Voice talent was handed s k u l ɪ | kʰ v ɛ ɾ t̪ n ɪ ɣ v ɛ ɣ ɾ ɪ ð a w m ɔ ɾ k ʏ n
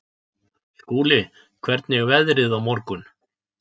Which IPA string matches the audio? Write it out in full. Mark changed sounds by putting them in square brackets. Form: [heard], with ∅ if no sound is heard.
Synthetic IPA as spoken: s k [uː] l ɪ | kʰ v ɛ ɾ t̪ n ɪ ɣ v ɛ [ð] ɾ ɪ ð a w m ɔ ɾ k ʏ n